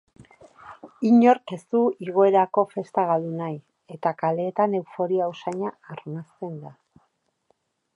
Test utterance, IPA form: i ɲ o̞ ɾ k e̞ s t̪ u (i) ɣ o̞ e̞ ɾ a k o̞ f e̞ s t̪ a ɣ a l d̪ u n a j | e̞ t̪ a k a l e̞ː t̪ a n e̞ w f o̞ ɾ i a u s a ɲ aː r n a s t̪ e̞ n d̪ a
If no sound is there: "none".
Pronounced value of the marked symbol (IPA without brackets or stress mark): i